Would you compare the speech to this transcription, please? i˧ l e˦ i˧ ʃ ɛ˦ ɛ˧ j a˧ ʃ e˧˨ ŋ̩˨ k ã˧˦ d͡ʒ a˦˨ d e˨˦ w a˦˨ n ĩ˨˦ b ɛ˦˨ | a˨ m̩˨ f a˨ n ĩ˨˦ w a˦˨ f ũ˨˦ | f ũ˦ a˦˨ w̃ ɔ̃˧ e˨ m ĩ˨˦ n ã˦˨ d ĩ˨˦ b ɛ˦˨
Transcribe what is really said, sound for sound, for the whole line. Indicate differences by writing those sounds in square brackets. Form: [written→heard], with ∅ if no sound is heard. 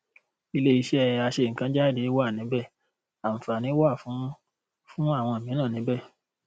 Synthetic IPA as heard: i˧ l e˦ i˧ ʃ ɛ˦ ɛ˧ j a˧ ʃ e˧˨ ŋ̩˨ k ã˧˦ d͡ʒ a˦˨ d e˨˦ w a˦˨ n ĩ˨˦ b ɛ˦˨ | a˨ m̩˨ f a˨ n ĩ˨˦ w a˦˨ f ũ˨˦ | f ũ˦ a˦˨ w̃ ɔ̃˧ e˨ m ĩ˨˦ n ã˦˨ [d→n] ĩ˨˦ b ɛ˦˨

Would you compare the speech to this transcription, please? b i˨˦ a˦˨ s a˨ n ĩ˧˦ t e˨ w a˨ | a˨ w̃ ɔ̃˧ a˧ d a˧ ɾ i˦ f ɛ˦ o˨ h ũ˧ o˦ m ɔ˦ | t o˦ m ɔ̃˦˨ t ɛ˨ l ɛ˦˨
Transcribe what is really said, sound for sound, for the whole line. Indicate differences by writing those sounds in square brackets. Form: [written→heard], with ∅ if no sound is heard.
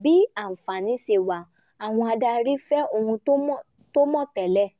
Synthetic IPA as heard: b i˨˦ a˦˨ [s→f] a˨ n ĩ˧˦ [t→s] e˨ w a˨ | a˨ w̃ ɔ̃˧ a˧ d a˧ ɾ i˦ f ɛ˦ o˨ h ũ˧ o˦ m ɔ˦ | t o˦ m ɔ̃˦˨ t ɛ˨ l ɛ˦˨

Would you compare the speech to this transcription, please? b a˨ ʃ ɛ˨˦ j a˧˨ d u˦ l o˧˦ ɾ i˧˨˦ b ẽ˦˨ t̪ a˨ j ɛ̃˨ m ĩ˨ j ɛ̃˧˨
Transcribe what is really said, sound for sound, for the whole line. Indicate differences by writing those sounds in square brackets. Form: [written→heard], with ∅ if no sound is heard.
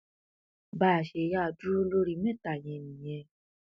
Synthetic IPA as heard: b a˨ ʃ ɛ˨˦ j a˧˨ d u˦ l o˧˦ ɾ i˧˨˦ [b→m] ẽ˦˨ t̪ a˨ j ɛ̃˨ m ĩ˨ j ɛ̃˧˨

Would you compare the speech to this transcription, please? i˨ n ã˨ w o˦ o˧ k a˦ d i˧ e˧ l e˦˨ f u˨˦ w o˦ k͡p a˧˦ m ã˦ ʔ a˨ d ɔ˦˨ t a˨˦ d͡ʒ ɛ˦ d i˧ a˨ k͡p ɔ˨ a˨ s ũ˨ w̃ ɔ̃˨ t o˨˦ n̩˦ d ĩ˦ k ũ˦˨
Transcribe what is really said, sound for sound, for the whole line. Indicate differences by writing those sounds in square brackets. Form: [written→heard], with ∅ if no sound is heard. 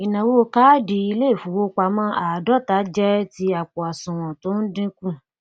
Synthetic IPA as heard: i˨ n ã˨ w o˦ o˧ k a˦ d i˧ [e˧→i˧] l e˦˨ f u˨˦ w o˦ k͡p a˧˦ m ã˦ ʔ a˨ d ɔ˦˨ t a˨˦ d͡ʒ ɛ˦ [d→t] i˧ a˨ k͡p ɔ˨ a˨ s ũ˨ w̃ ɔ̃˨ t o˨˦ n̩˦ d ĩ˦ k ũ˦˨

